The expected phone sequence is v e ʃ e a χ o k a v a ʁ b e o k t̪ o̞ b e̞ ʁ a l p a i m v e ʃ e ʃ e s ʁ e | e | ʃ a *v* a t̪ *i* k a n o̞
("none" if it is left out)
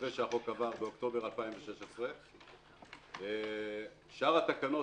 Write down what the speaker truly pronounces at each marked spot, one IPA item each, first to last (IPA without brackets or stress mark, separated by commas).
ʁ, a